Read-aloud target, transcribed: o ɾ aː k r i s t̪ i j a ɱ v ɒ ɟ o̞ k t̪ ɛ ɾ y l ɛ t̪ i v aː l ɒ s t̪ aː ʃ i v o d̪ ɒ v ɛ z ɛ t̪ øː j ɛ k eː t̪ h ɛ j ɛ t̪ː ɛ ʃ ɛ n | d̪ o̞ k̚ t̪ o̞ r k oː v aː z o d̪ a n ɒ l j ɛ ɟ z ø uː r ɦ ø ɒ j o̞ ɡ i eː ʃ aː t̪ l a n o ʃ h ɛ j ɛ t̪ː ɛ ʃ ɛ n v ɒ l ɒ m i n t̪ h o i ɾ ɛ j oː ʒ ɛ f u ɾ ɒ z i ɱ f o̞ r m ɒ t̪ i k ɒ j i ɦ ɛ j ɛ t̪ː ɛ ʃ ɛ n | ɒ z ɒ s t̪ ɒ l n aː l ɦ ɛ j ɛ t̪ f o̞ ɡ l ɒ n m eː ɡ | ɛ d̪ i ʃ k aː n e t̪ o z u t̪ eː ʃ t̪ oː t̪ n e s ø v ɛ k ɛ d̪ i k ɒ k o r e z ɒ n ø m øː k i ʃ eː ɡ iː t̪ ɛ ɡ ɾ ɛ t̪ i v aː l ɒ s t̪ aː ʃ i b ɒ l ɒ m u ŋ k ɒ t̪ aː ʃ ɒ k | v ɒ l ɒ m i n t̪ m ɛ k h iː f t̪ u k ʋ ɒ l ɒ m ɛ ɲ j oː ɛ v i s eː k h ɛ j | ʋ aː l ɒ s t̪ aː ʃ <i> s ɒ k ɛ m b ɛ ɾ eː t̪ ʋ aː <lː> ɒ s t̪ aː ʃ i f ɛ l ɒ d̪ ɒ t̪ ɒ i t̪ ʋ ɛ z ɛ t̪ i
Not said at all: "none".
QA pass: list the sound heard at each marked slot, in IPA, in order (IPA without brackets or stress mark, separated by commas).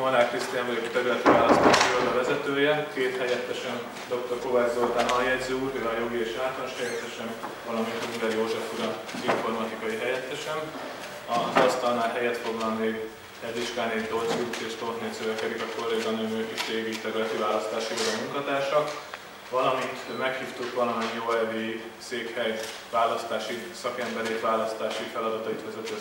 i, l